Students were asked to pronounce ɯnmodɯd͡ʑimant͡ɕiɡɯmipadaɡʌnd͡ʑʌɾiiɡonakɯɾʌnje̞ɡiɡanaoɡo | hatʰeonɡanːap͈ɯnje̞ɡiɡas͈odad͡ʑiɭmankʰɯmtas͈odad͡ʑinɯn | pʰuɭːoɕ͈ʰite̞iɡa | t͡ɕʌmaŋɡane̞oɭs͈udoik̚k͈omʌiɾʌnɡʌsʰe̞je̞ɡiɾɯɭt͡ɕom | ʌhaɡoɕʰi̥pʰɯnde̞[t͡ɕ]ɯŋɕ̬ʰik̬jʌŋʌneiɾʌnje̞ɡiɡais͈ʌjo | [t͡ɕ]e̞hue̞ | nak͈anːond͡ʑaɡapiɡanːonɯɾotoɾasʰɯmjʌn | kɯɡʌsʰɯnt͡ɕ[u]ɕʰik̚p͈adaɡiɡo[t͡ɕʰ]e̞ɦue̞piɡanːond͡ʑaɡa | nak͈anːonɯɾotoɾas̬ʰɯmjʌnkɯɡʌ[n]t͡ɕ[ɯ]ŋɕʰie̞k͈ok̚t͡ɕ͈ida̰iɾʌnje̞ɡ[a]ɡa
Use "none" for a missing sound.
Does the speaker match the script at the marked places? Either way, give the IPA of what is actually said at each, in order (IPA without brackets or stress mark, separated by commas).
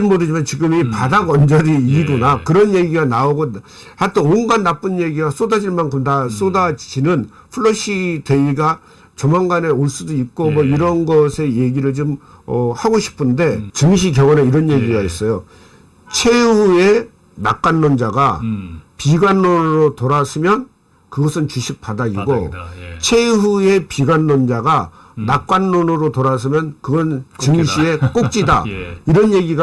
t͡ɕ, t͡ɕʰ, u, t͡ɕʰ, n, ɯ, i